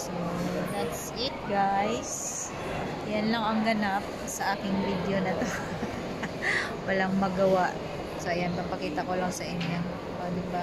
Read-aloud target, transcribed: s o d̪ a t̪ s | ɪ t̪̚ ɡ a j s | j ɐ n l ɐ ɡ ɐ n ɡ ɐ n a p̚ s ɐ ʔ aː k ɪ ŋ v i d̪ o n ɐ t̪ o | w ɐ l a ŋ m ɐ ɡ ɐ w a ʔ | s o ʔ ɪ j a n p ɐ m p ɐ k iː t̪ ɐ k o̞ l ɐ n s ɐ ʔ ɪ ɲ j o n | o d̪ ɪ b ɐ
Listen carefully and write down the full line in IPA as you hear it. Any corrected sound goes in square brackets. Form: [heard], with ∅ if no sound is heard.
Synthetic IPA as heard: s o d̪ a t̪ s | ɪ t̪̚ ɡ a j s | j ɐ n l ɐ [ŋ] ɐ [ŋ] ɡ ɐ n a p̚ s ɐ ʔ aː k ɪ ŋ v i d̪ o n ɐ t̪ o | w ɐ l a ŋ m ɐ ɡ ɐ w a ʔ | s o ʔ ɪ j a n p ɐ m p ɐ k iː t̪ ɐ k o̞ l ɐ [ŋ] s ɐ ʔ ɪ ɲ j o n | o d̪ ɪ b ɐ

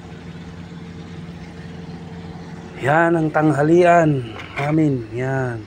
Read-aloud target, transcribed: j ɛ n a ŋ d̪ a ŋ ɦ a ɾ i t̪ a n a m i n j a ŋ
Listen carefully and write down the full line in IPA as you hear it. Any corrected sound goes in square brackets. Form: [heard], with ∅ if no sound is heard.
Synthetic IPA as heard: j [a] n a ŋ [t̪] a ŋ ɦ a [l] i [∅] a n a m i n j a [n]

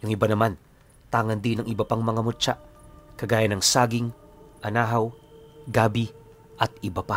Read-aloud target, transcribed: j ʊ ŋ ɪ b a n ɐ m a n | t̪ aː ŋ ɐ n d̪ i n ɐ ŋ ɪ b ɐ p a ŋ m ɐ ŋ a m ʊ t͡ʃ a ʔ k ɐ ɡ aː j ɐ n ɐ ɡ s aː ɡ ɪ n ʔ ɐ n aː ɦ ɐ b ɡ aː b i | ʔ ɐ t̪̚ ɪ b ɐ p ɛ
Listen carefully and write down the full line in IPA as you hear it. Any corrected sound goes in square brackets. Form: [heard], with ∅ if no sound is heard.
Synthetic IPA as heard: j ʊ ŋ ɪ b a n ɐ m a n | t̪ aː ŋ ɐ n d̪ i n ɐ ŋ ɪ b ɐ p a ŋ m ɐ ŋ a m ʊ t͡ʃ a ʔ k ɐ ɡ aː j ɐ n ɐ [ŋ] s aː ɡ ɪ [ŋ] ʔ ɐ n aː ɦ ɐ [w] ɡ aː b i | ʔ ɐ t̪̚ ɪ b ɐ p [a]

